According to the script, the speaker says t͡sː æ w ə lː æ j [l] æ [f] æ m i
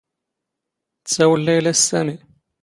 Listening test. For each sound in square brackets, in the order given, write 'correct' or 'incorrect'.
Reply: correct, incorrect: s

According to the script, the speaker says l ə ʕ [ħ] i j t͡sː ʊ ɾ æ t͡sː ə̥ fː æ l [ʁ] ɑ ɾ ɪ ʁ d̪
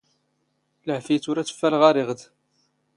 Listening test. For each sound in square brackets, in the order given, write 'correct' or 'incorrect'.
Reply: incorrect: f, correct

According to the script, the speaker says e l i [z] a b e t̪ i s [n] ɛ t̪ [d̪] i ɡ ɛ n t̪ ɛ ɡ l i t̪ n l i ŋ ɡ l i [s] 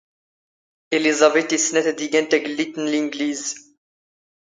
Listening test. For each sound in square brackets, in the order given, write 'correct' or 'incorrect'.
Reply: correct, correct, correct, incorrect: z

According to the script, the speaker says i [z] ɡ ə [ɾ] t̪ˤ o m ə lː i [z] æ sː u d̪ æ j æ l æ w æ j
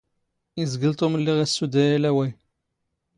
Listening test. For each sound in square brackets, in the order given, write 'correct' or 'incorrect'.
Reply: correct, incorrect: l, incorrect: ʁ

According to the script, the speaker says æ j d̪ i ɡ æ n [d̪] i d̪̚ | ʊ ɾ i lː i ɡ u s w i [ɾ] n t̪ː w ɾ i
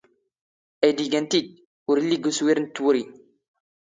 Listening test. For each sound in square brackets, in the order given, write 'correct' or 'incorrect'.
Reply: incorrect: t̪, correct

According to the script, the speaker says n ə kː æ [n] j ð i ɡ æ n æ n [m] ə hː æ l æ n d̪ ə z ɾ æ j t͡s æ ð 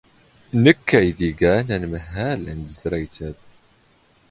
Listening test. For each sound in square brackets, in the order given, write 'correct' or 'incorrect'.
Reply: incorrect: none, correct

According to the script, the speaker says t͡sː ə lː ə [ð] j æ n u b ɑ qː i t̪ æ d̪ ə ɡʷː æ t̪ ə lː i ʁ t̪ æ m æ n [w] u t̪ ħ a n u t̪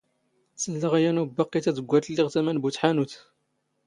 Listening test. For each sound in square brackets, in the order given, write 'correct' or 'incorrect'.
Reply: incorrect: ʁ, incorrect: b

